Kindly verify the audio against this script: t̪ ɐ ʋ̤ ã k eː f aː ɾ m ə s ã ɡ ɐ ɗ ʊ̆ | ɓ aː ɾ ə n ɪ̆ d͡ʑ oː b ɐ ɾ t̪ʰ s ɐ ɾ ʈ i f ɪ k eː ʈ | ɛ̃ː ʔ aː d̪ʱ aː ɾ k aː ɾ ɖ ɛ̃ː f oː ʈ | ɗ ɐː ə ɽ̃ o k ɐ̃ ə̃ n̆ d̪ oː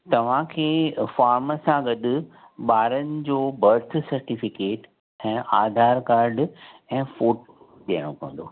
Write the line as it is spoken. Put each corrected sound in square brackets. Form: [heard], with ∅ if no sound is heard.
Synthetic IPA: t̪ ɐ ʋ̤ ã [kʰ] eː f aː ɾ m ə s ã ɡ ɐ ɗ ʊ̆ | ɓ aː ɾ ə n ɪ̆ d͡ʑ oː b ɐ ɾ t̪ʰ s ɐ ɾ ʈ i f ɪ k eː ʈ | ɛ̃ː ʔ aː d̪ʱ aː ɾ k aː ɾ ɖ ɛ̃ː f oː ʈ | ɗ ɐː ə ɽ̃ o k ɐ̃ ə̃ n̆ d̪ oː

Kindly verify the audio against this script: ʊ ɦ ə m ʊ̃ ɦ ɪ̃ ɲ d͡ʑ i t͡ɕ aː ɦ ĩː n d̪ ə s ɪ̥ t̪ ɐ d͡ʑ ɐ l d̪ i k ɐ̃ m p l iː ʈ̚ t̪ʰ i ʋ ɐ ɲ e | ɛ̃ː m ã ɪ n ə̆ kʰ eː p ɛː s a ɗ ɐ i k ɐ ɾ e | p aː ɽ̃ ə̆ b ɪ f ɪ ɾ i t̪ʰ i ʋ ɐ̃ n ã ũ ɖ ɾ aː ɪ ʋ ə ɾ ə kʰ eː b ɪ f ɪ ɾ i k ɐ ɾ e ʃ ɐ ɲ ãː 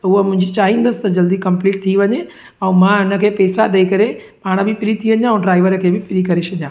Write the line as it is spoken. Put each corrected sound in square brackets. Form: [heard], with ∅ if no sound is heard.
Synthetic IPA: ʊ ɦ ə m ʊ̃ ɦ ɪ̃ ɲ d͡ʑ i t͡ɕ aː ɦ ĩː n d̪ ə s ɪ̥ t̪ ɐ d͡ʑ ɐ l d̪ i k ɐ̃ m p l iː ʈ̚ t̪ʰ i ʋ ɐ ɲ e | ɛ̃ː m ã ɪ n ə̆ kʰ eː p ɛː s a ɗ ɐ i k ɐ ɾ e | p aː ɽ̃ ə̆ b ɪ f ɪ ɾ i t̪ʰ i ʋ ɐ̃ [ɲ] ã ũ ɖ ɾ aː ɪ ʋ ə ɾ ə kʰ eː b ɪ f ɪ ɾ i k ɐ ɾ e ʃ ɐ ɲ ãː

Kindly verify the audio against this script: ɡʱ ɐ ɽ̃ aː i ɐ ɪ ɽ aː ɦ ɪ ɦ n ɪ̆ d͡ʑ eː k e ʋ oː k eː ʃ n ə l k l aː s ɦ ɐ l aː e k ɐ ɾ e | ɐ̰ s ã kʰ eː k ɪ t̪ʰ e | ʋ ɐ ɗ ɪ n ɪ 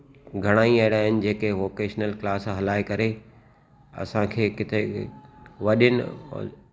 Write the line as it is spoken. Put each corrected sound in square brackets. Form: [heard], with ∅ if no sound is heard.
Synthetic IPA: ɡʱ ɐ ɽ̃ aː i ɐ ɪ ɽ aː ɦ ɪ [∅] n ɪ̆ d͡ʑ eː k e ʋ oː k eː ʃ n ə l k l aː s ɦ ɐ l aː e k ɐ ɾ e | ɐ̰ s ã kʰ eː k ɪ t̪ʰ e | ʋ ɐ ɗ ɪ n ɪ

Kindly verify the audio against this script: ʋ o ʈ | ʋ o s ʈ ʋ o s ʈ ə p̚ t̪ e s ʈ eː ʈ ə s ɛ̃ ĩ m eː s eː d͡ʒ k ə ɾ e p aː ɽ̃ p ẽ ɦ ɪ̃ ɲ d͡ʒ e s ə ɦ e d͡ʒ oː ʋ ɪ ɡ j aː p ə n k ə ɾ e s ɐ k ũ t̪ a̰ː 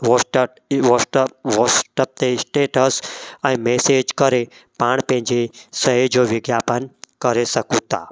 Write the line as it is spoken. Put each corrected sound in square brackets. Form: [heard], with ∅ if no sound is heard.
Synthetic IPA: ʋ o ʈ | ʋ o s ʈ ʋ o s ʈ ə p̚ t̪ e s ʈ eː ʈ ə s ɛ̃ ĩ m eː s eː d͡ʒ k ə ɾ e p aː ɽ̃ p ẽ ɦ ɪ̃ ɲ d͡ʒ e s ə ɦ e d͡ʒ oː ʋ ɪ ɡ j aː p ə n k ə ɾ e s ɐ k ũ t̪ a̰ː

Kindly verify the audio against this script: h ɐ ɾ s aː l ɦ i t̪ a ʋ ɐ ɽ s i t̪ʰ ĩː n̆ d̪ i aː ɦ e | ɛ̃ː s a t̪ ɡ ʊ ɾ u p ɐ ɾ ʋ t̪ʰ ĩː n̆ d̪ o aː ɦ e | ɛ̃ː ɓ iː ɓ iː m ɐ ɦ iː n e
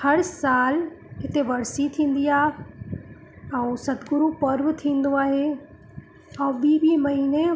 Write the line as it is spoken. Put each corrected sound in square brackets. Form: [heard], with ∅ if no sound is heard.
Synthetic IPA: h ɐ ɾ s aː l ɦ [ɪ] t̪ [e] ʋ ɐ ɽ s i t̪ʰ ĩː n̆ d̪ i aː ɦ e | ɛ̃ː s [ɐ] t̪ ɡ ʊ ɾ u p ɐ ɾ ʋ t̪ʰ ĩː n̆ d̪ o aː ɦ e | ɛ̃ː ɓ iː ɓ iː m ɐ ɦ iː n e

